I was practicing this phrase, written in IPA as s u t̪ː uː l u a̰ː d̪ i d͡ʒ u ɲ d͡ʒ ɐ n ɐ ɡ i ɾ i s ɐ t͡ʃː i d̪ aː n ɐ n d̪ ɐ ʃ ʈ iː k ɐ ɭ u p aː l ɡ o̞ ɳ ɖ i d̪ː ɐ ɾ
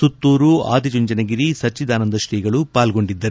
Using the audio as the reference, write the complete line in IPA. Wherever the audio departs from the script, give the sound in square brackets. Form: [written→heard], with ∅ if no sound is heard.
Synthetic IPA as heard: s u t̪ː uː [l→ɾ] u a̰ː d̪ i d͡ʒ u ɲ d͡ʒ ɐ n ɐ ɡ i ɾ i s ɐ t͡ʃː i d̪ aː n ɐ n d̪ ɐ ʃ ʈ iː [k→ɡ] ɐ ɭ u p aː l ɡ o̞ ɳ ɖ i d̪ː ɐ ɾ

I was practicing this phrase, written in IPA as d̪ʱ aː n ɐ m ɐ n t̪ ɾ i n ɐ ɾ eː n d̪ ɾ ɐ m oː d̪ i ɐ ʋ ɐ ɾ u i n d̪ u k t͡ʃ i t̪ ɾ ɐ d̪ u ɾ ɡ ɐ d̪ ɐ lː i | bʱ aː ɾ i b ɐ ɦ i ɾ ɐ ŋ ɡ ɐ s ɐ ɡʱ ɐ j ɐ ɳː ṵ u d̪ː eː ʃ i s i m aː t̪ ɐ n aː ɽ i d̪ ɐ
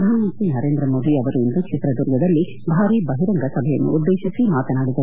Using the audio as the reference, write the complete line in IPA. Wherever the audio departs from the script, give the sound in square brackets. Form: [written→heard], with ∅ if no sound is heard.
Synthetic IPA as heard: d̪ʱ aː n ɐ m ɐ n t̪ ɾ i n ɐ ɾ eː n d̪ ɾ ɐ m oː d̪ i ɐ ʋ ɐ ɾ u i n d̪ u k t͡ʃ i t̪ ɾ ɐ d̪ u ɾ ɡ ɐ d̪ ɐ lː i | bʱ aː ɾ i b ɐ ɦ i ɾ ɐ ŋ ɡ ɐ s ɐ [ɡʱ→bʱ] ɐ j ɐ [ɳː→nː] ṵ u d̪ː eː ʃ i s i m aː t̪ ɐ n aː ɽ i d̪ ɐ

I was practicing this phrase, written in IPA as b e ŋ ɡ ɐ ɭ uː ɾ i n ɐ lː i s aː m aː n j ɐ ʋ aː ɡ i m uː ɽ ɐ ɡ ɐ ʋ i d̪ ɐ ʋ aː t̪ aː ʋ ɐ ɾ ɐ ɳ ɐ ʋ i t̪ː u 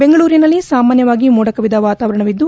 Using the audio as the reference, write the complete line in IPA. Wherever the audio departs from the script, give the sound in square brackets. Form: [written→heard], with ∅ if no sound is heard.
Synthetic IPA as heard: b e ŋ ɡ ɐ ɭ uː ɾ i n ɐ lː i s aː m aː n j ɐ ʋ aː ɡ i m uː ɽ ɐ [ɡ→k] ɐ ʋ i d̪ ɐ ʋ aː t̪ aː ʋ ɐ ɾ ɐ ɳ ɐ ʋ i [t̪ː→d̪ː] u

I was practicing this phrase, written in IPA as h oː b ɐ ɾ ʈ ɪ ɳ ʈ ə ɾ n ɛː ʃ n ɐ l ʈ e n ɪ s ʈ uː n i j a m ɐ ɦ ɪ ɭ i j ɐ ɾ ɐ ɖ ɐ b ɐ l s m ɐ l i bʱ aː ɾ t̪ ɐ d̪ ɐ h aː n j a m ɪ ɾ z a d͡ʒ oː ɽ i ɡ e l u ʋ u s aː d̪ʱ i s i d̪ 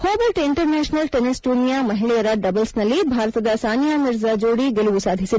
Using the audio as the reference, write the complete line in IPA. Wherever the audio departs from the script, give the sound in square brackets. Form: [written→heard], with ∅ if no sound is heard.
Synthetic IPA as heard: h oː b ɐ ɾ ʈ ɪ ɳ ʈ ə ɾ n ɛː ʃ n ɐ l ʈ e n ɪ s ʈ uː n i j a m ɐ ɦ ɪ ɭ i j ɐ ɾ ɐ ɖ ɐ b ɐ l s [m→n] ɐ l i bʱ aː ɾ t̪ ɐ d̪ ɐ [h→s] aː n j a m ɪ ɾ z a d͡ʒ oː ɽ i ɡ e l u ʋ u s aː d̪ʱ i s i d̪

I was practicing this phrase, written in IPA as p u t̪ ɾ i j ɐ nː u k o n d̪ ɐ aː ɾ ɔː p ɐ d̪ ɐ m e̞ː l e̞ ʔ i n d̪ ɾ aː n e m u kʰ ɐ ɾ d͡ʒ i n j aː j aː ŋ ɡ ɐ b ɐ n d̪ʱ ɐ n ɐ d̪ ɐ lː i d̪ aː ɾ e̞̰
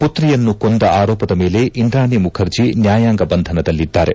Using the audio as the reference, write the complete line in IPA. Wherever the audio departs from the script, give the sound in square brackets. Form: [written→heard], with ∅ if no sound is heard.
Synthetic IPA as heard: p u t̪ ɾ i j ɐ nː u k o n d̪ ɐ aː ɾ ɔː p ɐ d̪ ɐ m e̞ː l e̞ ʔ i n d̪ ɾ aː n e m u kʰ ɐ ɾ d͡ʒ i n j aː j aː ŋ ɡ ɐ b ɐ n d̪ʱ ɐ n ɐ d̪ ɐ lː i [d̪→d̪ː] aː ɾ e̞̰

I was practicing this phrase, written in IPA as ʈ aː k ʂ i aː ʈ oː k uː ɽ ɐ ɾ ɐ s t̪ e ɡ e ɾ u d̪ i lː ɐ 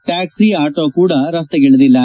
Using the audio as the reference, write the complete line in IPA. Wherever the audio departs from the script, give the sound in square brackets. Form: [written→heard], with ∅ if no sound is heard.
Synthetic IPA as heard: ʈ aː k [ʂ→s] i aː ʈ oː k uː ɽ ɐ ɾ ɐ s t̪ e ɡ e [ɾ→ɭ] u d̪ i lː ɐ

